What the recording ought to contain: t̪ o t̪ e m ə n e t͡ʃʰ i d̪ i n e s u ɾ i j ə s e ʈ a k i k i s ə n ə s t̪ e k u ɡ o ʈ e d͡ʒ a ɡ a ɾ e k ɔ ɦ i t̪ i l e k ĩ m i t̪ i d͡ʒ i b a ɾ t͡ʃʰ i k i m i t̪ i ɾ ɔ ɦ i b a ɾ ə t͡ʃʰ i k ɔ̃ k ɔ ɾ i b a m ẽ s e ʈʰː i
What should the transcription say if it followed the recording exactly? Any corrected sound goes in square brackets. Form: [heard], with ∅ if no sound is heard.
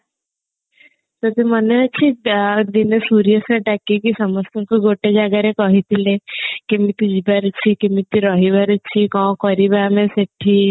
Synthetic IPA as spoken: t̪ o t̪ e m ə n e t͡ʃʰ i d̪ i n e s u ɾ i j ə s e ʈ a k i k i s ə [m] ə s t̪ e k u ɡ o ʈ e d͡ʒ a ɡ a ɾ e k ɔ ɦ i t̪ i l e k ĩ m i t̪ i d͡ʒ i b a ɾ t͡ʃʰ i k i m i t̪ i ɾ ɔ ɦ i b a ɾ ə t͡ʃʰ i k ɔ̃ k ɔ ɾ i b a m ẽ s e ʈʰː i